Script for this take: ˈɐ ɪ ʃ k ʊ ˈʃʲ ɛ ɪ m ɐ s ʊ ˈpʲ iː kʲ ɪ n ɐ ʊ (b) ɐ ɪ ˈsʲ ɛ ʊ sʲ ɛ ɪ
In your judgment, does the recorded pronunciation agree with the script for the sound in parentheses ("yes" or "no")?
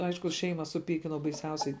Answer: yes